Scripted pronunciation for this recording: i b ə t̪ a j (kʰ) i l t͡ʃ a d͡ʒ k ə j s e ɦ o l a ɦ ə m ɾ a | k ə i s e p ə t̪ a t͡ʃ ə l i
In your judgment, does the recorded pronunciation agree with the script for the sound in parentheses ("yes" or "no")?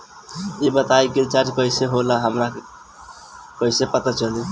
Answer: no